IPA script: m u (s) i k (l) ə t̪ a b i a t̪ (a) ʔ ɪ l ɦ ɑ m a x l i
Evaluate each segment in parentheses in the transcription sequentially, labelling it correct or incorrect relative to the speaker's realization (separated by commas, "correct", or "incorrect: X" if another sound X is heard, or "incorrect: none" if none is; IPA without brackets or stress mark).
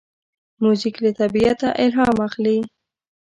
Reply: incorrect: z, correct, correct